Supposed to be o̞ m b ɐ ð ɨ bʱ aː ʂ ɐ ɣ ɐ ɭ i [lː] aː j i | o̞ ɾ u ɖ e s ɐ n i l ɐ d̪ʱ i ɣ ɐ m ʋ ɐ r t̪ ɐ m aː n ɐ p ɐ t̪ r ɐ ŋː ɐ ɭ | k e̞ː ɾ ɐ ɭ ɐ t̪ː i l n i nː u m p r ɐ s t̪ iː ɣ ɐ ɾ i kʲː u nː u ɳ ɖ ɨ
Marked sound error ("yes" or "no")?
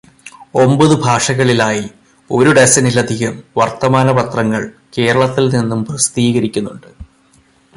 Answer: yes